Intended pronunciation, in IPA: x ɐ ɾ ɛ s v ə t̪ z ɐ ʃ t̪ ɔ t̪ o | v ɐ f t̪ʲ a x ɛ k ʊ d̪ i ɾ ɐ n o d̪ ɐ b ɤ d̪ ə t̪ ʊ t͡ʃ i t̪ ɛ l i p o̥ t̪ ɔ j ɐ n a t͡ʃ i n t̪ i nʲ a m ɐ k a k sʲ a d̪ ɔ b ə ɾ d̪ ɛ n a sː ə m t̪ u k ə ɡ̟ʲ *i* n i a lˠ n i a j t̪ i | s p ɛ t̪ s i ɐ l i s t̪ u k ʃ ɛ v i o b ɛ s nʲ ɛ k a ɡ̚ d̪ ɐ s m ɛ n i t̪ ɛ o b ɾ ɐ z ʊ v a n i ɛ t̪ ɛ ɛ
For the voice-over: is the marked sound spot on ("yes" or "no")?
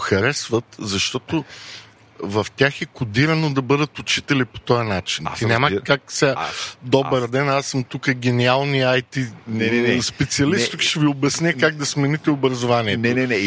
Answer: no